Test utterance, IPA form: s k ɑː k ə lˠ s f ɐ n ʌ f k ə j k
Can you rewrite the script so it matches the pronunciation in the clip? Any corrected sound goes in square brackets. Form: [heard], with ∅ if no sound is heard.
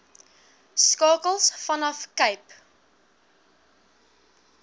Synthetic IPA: s k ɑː k ə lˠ s f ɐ n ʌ f k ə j [p]

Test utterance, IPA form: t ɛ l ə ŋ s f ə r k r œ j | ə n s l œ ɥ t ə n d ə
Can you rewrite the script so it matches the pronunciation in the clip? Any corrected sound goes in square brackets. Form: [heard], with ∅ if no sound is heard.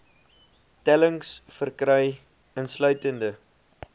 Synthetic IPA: t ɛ l ə ŋ s f ə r k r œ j | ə n s l œ ɥ t ə n d ə

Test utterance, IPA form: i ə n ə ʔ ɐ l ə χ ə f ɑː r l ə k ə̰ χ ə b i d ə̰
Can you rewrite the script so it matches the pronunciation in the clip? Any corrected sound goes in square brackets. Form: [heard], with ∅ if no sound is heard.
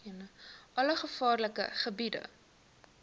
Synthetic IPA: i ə n ə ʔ ɐ l ə χ ə f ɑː r l ə k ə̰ χ ə b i d ə̰

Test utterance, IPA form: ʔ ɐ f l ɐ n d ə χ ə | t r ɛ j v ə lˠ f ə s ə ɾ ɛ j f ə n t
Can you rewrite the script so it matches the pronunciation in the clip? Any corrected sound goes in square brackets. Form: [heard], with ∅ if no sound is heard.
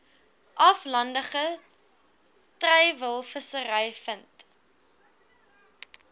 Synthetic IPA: ʔ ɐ f l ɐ n d ə χ ə | t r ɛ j v ə lˠ f ə s ə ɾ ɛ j f ə n t

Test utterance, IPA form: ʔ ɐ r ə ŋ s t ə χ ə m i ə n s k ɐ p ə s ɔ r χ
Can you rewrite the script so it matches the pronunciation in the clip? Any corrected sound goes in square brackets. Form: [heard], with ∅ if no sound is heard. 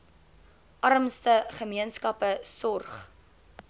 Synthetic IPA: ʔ ɐ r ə [m] s t ə χ ə m i ə n s k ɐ p ə s ɔ r χ

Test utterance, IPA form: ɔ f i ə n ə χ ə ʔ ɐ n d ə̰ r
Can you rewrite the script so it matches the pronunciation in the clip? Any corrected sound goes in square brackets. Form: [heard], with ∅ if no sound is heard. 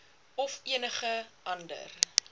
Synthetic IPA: ɔ f i ə n ə χ ə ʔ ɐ n d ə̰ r

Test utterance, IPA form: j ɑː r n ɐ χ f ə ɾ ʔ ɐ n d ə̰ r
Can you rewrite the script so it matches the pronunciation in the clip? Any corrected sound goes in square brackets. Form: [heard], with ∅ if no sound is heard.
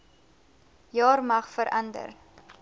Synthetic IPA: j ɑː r [m] ɐ χ f ə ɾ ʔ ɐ n d ə̰ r

